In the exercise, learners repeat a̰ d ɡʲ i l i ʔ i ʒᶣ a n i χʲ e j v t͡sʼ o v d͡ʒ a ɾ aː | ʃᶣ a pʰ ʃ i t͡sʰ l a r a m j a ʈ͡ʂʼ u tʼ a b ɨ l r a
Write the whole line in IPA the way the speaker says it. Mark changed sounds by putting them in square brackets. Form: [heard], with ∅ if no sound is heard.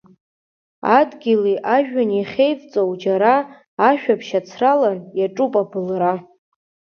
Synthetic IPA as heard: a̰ d ɡʲ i l i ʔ [a] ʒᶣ a n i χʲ e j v t͡sʼ o [w] d͡ʒ a ɾ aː | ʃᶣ a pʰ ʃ [a] t͡sʰ [r] a [l] a [n] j a ʈ͡ʂʼ u [pʼ] a b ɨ l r a